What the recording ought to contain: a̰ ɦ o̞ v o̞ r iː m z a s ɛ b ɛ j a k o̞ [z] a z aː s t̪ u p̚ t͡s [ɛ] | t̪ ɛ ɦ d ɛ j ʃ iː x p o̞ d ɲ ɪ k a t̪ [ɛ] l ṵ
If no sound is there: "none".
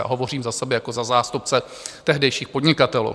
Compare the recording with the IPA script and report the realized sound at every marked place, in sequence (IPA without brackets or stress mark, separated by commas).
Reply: z, ɛ, ɛ